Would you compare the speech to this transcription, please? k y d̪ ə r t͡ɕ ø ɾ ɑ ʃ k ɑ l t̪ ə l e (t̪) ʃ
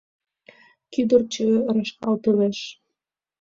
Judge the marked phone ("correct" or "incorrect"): incorrect